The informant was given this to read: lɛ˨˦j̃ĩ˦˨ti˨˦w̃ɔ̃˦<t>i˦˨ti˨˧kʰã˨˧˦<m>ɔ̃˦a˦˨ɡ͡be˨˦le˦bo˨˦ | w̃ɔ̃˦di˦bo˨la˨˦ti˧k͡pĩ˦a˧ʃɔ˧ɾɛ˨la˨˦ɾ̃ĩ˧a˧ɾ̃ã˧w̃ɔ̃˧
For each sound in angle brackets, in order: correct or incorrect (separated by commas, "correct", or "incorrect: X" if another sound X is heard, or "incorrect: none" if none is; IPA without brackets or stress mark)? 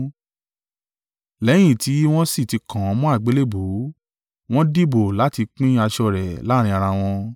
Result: incorrect: s, correct